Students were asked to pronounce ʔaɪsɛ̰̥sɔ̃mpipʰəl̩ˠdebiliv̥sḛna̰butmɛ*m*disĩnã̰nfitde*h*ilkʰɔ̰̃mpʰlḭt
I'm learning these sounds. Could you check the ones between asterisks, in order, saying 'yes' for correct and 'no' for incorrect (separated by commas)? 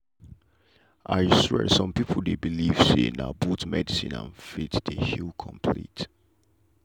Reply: no, yes